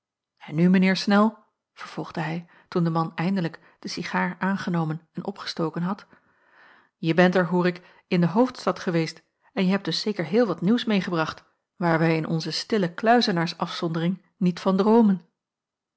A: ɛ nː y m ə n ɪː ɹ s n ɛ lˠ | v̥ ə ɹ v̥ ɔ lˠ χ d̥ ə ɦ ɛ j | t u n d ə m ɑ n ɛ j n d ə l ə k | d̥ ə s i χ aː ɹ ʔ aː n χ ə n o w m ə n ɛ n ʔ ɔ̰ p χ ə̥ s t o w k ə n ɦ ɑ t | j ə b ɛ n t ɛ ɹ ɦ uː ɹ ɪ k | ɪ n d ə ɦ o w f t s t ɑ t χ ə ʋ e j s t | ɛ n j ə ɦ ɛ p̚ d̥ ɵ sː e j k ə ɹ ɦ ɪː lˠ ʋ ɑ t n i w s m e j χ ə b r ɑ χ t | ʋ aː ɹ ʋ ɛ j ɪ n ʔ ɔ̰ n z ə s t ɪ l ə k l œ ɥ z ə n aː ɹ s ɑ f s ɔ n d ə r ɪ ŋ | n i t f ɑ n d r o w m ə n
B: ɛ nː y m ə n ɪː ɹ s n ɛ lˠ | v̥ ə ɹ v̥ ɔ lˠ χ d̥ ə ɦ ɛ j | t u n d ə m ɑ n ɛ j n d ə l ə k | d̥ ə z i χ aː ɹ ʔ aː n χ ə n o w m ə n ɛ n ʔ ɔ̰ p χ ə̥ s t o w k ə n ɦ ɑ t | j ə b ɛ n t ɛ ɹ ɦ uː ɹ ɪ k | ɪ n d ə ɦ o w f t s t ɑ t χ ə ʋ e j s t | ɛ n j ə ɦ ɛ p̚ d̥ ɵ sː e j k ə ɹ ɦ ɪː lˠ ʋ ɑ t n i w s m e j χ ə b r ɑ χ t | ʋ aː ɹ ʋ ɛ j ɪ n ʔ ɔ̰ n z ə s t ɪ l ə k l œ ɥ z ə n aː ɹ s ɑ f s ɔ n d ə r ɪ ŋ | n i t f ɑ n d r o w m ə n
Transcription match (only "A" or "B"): A